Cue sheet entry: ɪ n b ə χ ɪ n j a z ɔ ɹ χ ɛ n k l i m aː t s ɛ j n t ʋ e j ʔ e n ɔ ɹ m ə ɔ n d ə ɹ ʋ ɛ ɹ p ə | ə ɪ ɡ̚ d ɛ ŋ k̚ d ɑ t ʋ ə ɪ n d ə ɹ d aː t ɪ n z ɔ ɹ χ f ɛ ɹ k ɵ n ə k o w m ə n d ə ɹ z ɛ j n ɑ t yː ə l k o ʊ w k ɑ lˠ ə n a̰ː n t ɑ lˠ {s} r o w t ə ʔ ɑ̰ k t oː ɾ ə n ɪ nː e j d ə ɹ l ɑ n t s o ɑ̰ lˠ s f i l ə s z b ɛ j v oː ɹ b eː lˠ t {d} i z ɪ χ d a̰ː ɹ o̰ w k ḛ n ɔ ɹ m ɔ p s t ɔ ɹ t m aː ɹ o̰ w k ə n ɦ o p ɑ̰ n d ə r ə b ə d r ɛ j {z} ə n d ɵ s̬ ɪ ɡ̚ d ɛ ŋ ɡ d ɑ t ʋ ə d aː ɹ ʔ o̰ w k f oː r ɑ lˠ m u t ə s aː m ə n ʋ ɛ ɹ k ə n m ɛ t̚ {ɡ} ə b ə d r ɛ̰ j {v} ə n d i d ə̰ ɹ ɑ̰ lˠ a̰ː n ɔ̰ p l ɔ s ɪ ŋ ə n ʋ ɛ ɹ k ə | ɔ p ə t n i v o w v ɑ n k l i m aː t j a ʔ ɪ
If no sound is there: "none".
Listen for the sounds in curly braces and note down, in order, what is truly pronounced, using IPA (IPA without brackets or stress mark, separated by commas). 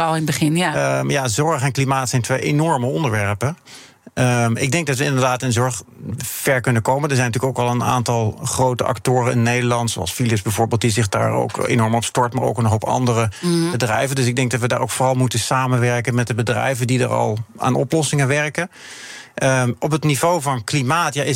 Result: χ, d, v, d, v